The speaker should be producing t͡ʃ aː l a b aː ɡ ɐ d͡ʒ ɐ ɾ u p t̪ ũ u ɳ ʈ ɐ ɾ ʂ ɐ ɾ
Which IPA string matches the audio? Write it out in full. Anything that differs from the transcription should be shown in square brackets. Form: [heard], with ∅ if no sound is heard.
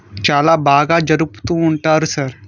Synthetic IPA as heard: t͡ʃ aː l a b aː ɡ [a] d͡ʒ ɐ ɾ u p t̪ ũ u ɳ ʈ [a] ɾ [s] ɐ ɾ